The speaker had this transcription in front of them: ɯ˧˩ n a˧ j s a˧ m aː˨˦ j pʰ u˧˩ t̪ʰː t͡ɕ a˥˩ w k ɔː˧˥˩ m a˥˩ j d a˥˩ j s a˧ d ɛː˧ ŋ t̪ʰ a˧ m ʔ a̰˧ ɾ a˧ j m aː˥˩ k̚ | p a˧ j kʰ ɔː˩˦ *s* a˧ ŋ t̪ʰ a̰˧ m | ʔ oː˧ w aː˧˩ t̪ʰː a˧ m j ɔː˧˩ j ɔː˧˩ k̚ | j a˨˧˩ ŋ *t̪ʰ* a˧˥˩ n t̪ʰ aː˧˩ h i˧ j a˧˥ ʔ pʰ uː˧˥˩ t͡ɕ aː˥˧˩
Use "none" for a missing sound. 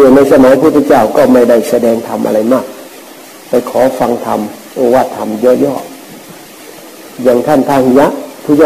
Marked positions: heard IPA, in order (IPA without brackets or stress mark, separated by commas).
f, t̪ʰ